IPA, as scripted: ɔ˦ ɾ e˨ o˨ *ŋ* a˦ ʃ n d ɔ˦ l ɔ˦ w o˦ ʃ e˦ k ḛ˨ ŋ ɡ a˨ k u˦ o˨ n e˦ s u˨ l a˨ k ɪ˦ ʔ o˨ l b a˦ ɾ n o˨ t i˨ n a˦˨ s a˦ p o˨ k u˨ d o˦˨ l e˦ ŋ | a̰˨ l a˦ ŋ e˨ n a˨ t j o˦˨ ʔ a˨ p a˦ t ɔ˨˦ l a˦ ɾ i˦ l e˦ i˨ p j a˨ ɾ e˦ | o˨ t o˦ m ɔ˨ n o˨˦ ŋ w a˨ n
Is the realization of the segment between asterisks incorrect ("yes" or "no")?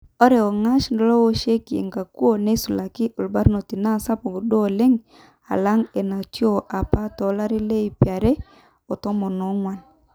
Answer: no